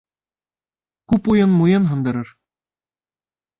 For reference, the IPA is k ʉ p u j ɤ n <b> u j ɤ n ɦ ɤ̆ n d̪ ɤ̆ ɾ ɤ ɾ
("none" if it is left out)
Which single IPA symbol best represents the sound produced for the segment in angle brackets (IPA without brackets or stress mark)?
m